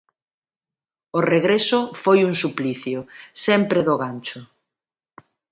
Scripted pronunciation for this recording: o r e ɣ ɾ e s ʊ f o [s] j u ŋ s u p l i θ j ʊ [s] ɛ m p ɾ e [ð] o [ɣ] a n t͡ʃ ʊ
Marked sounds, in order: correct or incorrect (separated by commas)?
incorrect, correct, correct, correct